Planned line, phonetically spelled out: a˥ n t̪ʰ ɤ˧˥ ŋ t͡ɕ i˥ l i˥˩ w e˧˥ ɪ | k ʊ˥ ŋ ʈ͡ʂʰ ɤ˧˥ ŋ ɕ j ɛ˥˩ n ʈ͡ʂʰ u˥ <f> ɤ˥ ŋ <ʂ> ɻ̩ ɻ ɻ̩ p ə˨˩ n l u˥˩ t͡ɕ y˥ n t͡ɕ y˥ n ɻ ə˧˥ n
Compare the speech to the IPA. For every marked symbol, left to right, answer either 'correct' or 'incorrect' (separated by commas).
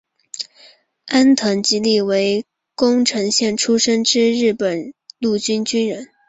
incorrect, incorrect